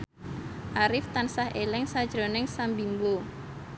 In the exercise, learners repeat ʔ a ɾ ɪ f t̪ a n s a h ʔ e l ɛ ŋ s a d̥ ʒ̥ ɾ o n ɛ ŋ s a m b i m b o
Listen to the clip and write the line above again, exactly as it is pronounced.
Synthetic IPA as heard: ʔ a ɾ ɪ f t̪ a n s a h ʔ e l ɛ ŋ s a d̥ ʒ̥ ɾ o n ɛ ŋ s a m b i m b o